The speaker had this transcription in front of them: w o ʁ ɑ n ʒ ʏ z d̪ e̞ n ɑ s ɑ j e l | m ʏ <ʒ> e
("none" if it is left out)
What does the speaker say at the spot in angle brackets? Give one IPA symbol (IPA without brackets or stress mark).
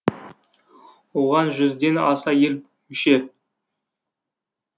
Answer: ʃ